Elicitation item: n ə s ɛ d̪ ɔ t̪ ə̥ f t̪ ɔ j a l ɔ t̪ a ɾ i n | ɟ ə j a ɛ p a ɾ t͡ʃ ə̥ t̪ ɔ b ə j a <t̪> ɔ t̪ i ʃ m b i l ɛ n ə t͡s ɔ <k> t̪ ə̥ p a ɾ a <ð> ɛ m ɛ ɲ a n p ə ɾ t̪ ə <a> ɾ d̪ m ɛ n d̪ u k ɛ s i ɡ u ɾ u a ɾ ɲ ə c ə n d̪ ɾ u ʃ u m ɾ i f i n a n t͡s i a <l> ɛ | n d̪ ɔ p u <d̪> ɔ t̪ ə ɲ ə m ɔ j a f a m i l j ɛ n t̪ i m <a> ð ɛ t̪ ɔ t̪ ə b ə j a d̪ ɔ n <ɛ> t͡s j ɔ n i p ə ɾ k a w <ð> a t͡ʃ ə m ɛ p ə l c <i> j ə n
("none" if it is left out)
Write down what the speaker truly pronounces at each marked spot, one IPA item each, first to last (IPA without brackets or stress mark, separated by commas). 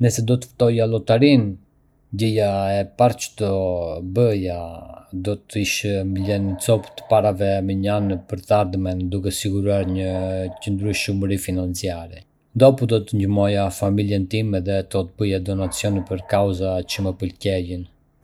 d̪, p, v, a, ɾ, d̪, ɛ, a, z, ɛ